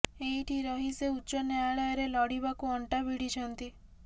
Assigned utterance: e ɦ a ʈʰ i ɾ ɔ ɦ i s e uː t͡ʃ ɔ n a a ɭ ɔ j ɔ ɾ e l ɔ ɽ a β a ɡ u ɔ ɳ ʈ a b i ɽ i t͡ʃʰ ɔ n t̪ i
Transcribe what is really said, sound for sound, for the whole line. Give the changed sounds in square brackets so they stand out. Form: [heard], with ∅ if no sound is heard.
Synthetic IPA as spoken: e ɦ [i] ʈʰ i ɾ ɔ ɦ i s e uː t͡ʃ ɔ n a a ɭ ɔ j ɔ ɾ e l ɔ ɽ [i] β a [k] u ɔ ɳ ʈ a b i ɽ i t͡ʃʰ ɔ n t̪ i

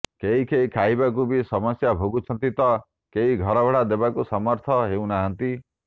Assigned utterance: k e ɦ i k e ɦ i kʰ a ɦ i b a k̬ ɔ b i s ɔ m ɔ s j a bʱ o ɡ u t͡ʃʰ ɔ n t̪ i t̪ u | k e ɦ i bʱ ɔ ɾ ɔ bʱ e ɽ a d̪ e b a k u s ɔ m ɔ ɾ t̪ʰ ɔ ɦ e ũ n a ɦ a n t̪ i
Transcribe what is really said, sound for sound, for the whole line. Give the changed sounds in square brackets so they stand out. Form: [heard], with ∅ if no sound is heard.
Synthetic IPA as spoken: k e ɦ i k e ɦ i kʰ a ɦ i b a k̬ [u] b i s ɔ m ɔ s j a bʱ o ɡ u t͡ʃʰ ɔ n t̪ i t̪ [ɔ] | k e ɦ i [ɡʱ] ɔ ɾ ɔ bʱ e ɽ a d̪ e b a k u s ɔ m ɔ ɾ t̪ʰ ɔ ɦ e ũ n a ɦ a n t̪ i

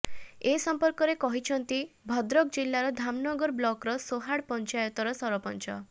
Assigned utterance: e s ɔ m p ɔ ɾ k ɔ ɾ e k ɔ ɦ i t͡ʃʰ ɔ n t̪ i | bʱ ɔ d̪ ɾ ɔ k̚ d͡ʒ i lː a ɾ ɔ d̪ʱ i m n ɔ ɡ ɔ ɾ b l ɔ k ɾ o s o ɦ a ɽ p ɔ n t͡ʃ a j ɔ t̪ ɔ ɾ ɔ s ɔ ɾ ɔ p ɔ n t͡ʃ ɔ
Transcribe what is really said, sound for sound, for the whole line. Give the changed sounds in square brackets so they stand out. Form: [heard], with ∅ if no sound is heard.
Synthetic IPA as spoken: e s ɔ m p ɔ ɾ k ɔ ɾ e k ɔ ɦ i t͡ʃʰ ɔ n t̪ i | bʱ ɔ d̪ ɾ ɔ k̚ d͡ʒ i lː a ɾ ɔ d̪ʱ [a] m n ɔ ɡ ɔ ɾ b l ɔ k ɾ [ɔ] s o ɦ a ɽ p ɔ n t͡ʃ a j ɔ t̪ ɔ ɾ ɔ s ɔ ɾ ɔ p ɔ n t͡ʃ ɔ

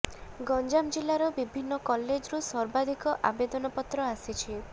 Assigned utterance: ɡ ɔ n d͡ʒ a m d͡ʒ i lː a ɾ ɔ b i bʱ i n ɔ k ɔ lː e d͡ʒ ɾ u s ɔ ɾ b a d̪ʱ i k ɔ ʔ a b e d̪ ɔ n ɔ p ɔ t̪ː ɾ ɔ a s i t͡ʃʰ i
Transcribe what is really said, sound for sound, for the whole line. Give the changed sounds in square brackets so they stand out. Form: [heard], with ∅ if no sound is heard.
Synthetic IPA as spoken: ɡ ɔ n d͡ʒ a m d͡ʒ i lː a ɾ ɔ b i bʱ i [nː] ɔ k ɔ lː e d͡ʒ ɾ u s ɔ ɾ b a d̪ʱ i k ɔ ʔ a b e d̪ ɔ n ɔ p ɔ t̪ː ɾ ɔ a s i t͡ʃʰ i

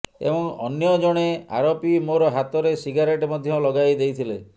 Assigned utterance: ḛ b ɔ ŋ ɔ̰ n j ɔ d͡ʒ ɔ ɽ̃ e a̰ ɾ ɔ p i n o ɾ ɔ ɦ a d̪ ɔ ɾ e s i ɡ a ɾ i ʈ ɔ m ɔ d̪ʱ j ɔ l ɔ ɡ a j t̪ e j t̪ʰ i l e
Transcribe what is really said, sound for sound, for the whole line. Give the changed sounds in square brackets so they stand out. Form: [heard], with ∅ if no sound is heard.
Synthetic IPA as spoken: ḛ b ɔ ŋ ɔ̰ n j ɔ d͡ʒ ɔ ɽ̃ e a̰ ɾ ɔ p i [m] o ɾ ɔ ɦ a [t̪] ɔ ɾ e s i ɡ a ɾ [e] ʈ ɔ m ɔ d̪ʱ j ɔ l ɔ ɡ a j [d̪] e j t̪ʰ i l e

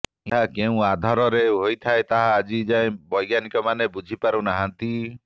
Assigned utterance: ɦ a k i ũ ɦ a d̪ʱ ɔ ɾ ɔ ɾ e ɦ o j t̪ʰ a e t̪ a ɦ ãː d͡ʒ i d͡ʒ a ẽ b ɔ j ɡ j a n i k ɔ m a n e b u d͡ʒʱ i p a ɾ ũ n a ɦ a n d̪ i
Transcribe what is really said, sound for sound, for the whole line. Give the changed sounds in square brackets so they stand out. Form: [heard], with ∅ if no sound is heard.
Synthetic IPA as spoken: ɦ a k [e] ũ [∅] a d̪ʱ ɔ ɾ ɔ ɾ e ɦ o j t̪ʰ a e t̪ a ɦ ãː d͡ʒ i d͡ʒ a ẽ b ɔ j ɡ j a n i k ɔ m a n e b u d͡ʒʱ i p a ɾ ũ n a ɦ a n [t̪] i

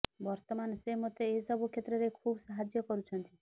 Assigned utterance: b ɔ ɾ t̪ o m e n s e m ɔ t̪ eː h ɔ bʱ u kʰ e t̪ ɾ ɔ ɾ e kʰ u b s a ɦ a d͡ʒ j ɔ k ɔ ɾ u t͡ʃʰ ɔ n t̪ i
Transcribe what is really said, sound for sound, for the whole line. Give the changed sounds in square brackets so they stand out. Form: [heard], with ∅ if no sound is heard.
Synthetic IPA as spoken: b ɔ ɾ t̪ [ɔ] m [a] n s e m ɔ t̪ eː [s] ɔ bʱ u kʰ e t̪ ɾ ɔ ɾ e kʰ u b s a ɦ a d͡ʒ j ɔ k ɔ ɾ u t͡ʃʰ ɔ n t̪ i

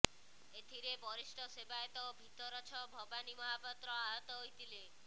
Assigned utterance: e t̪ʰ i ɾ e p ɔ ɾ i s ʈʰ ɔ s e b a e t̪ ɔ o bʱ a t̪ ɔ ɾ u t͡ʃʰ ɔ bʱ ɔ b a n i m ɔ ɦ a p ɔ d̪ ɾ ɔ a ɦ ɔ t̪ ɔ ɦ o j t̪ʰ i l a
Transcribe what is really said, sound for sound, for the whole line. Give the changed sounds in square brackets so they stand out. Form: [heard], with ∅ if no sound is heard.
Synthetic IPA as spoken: e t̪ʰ i ɾ e [b] ɔ ɾ i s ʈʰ ɔ s e b a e t̪ ɔ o bʱ [i] t̪ ɔ ɾ [ɔ] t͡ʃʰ ɔ bʱ ɔ b a n i m ɔ ɦ a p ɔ [t̪] ɾ ɔ a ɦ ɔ t̪ ɔ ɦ o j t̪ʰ i l [e]

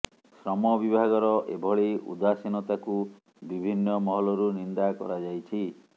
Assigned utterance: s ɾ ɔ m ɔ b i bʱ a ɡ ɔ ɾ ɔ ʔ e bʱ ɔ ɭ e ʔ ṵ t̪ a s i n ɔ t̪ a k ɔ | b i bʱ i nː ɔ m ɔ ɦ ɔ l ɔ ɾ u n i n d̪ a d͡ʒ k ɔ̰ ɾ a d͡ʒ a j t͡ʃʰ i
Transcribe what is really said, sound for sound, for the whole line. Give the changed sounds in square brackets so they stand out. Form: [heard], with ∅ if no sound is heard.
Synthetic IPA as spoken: s ɾ ɔ m ɔ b i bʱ a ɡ ɔ ɾ ɔ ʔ e bʱ ɔ ɭ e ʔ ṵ [d̪] a s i n ɔ t̪ a k [u] | b i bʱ i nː ɔ m ɔ ɦ ɔ l ɔ ɾ u n i n d̪ a [∅] k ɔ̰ ɾ a d͡ʒ a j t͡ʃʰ i

